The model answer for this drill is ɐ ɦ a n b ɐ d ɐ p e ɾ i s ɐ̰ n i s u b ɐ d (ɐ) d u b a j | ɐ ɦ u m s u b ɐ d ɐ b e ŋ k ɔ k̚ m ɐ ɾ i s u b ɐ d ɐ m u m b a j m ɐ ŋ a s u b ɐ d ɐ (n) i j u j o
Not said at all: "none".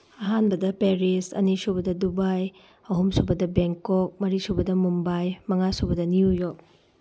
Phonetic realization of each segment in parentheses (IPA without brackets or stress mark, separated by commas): ɐ, n